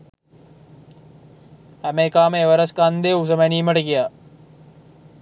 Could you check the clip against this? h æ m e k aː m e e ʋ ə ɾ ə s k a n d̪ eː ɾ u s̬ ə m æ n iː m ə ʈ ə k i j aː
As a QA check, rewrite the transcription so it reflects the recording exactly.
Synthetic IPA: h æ m e k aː m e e ʋ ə ɾ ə s k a n d̪ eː u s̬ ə m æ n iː m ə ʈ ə k i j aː